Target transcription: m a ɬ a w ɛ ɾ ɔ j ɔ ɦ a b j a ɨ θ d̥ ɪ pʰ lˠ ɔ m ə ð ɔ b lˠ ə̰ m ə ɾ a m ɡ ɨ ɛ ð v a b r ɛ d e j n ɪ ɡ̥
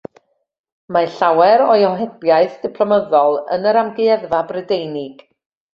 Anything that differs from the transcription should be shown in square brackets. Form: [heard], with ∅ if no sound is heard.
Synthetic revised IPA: m a ɬ a w ɛ ɾ ɔ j ɔ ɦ [ɛ] b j a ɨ θ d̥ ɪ pʰ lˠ ɔ m ə ð ɔ [∅] lˠ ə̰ [n] ə ɾ a m ɡ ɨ ɛ ð v a b r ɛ d e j n ɪ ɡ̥